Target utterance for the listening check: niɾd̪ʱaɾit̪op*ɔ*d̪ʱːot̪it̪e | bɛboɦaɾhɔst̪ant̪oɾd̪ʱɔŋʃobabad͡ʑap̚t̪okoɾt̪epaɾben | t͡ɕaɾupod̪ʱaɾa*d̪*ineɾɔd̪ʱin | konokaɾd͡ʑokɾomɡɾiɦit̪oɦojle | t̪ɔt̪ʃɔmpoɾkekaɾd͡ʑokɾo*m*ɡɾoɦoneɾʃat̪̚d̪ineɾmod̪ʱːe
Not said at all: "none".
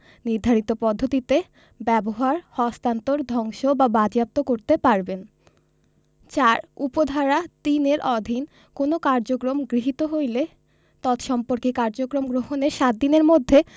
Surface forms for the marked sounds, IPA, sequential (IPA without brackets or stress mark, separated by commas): ɔ, t̪, m